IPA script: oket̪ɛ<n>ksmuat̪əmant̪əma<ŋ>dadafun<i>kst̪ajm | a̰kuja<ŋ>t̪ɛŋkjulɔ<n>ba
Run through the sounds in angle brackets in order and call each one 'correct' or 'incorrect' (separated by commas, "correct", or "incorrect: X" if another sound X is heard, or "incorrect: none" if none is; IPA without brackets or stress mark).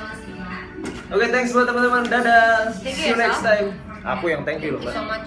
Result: incorrect: ŋ, incorrect: n, incorrect: ɛ, correct, incorrect: none